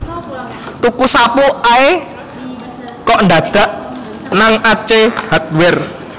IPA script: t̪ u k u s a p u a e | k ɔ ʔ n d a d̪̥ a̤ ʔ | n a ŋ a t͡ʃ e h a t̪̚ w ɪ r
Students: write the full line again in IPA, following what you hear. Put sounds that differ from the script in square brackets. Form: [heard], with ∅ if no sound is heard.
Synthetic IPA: t̪ u k u s a p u a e | k ɔ ʔ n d a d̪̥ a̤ ʔ | n a ŋ a t͡ʃ e h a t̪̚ w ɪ r